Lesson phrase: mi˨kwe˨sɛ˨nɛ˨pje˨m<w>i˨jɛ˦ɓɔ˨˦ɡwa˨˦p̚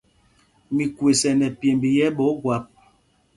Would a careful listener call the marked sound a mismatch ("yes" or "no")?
yes